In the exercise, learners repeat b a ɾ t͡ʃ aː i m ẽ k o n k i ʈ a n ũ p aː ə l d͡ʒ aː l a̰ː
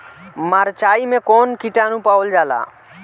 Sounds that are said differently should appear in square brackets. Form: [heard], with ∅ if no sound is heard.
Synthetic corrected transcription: [m] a ɾ t͡ʃ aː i m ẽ k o n k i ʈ a n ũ p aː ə l d͡ʒ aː l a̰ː